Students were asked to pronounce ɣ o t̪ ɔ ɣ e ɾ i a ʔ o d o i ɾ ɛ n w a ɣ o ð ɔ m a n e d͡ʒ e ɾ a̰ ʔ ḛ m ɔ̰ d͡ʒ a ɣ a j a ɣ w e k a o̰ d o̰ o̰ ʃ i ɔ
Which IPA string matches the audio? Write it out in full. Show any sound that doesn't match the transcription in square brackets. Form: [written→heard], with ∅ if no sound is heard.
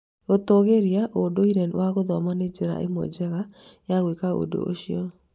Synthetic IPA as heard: ɣ o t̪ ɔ ɣ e ɾ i a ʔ o d o i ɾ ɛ n w a ɣ o ð ɔ m a n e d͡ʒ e ɾ a̰ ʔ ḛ m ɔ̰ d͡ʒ [a→ɛ] ɣ a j a ɣ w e k a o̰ d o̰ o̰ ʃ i ɔ